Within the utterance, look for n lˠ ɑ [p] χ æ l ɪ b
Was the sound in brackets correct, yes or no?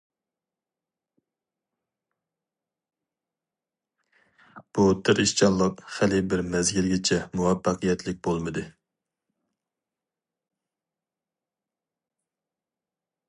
no